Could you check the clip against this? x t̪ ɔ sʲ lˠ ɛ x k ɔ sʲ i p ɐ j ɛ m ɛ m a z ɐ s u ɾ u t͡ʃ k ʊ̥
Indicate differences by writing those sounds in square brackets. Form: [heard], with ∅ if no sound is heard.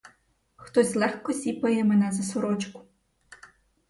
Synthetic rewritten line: x t̪ ɔ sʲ lˠ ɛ x k ɔ sʲ i p ɐ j ɛ m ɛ [n] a z ɐ s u ɾ [ɔ] t͡ʃ k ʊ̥

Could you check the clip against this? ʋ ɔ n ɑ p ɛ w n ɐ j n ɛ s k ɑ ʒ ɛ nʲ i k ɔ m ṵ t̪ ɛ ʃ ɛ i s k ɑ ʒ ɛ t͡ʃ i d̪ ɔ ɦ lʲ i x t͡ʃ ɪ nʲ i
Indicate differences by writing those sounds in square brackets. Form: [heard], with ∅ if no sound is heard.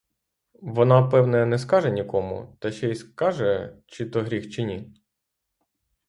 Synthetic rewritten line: ʋ ɔ n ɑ p ɛ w n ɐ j n ɛ s k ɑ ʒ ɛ nʲ i k ɔ m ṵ t̪ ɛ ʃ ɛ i s k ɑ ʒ ɛ t͡ʃ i [t̪] ɔ ɦ [ɾʲ] i x t͡ʃ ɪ nʲ i

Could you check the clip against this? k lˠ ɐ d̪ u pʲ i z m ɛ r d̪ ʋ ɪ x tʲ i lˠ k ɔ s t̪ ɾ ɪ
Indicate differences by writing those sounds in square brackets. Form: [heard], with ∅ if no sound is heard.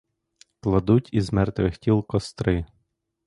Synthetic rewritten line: k lˠ ɐ d̪ u [tʲ] i z m ɛ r [t̪] ʋ ɪ x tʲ i lˠ k ɔ s t̪ ɾ ɪ

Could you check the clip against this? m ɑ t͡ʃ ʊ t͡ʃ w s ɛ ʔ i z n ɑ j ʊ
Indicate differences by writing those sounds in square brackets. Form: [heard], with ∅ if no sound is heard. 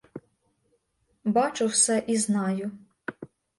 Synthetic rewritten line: [b] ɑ t͡ʃ ʊ [∅] w s ɛ ʔ i z n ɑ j ʊ

